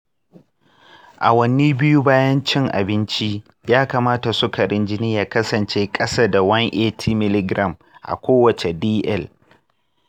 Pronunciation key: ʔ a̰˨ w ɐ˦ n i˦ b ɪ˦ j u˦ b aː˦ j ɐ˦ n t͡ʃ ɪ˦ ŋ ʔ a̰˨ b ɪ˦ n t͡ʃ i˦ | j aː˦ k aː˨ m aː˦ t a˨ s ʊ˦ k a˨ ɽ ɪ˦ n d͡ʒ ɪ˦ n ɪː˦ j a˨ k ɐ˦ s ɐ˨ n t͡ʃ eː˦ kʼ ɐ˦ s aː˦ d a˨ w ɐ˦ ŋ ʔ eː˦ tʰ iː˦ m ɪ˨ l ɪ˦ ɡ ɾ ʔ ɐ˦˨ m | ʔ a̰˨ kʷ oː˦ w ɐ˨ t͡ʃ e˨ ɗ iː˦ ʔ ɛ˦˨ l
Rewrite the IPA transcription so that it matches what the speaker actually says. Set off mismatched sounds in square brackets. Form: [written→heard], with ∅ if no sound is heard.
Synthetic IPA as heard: ʔ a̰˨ w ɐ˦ n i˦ b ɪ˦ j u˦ b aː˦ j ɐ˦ n t͡ʃ ɪ˦ ŋ ʔ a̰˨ b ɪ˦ n t͡ʃ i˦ | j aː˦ k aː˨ m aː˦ t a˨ s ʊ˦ k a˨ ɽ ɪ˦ n d͡ʒ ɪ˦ n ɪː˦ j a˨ k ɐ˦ s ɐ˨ n t͡ʃ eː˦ kʼ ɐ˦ s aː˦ d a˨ w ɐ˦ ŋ ʔ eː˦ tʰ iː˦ m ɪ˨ l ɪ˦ ɡ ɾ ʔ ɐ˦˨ m | ʔ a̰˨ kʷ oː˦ w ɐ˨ t͡ʃ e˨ [ɗ→d] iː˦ ʔ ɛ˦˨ l